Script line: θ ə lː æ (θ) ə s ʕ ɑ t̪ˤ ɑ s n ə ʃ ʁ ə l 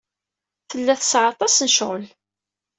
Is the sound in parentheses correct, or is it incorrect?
correct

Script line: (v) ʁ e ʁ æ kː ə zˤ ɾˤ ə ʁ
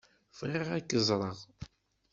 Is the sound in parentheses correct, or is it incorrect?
incorrect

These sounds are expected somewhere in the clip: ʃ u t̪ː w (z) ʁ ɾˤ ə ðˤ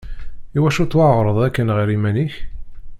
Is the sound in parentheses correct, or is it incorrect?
incorrect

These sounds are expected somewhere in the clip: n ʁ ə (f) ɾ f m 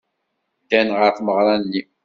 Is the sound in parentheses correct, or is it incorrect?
incorrect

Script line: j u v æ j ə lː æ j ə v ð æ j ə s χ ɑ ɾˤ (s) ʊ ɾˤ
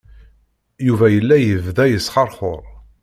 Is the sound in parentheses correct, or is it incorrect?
incorrect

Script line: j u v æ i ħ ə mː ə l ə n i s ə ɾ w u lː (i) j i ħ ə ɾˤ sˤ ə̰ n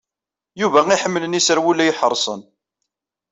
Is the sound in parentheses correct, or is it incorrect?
incorrect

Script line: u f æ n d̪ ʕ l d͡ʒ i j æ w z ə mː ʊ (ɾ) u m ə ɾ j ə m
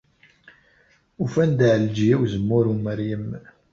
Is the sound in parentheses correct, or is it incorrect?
correct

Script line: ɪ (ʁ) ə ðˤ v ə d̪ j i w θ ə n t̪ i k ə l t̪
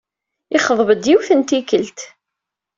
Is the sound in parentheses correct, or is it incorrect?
incorrect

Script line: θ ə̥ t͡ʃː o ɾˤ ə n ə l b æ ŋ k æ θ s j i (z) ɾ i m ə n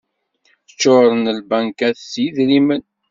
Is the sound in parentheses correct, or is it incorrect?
incorrect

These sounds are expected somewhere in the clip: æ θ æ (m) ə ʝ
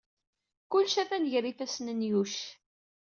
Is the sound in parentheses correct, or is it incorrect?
incorrect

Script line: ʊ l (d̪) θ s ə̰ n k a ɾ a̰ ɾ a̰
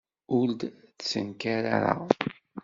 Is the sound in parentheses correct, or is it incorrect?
correct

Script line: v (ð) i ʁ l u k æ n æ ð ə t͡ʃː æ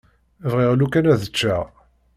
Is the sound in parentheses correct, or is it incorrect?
incorrect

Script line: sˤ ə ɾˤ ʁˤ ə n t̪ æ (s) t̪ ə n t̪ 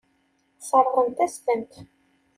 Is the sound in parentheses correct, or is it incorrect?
correct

